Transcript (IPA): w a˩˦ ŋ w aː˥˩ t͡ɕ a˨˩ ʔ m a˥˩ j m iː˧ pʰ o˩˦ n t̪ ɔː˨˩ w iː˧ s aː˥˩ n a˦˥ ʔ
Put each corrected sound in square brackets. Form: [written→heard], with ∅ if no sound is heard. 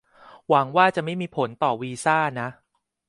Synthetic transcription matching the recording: w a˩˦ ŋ w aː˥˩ t͡ɕ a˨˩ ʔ m a˥˩ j m iː˧ pʰ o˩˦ n t̪ ɔː˨˩ w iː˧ s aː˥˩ n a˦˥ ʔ